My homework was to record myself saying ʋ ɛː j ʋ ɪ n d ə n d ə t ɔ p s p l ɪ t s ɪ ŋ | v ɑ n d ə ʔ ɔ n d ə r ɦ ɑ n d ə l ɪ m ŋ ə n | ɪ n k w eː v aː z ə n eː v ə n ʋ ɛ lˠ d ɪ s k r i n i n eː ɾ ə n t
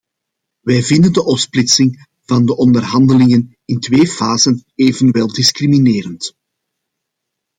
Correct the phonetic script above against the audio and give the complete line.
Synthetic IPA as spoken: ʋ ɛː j v ɪ n d ə n d ə ʔ ɔ p s p l ɪ t s ɪ ŋ | v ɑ n d ə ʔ ɔ n d ə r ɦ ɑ n d ə l ɪ ŋ ə n | ɪ n t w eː f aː z ə n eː v ə n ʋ ɛ lˠ d ɪ s k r i m i n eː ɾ ə n t